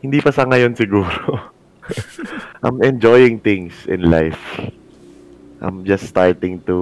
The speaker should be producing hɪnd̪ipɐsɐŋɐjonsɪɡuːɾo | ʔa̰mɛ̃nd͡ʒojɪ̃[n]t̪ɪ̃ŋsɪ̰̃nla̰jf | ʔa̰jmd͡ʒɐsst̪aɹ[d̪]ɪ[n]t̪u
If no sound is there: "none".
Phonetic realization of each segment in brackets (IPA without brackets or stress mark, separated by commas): ŋ, t̪, ŋ